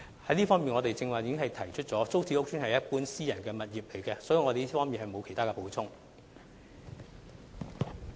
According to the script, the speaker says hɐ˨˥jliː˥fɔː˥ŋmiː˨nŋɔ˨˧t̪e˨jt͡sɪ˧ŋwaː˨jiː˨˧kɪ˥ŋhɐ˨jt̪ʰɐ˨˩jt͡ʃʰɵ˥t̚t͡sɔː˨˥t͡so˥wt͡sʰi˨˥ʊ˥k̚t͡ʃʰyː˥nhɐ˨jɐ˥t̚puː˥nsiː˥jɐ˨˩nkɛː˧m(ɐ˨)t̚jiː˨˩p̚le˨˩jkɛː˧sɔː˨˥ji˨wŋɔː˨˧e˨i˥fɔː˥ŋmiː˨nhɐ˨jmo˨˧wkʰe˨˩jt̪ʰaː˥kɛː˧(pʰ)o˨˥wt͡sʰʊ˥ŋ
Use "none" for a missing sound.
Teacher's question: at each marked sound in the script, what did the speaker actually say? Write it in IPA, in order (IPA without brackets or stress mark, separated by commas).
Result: ɐ˨, p